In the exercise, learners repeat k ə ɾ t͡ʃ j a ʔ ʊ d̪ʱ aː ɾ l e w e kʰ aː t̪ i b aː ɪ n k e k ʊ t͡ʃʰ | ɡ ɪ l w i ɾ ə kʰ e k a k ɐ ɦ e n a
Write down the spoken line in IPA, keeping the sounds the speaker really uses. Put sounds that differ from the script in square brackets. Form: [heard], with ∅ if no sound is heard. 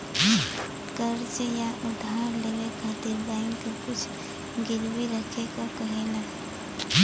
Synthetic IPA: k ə ɾ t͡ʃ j a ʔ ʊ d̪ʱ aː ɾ l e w e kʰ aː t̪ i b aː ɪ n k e k ʊ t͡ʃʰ | ɡ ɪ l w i ɾ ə kʰ e k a k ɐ ɦ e n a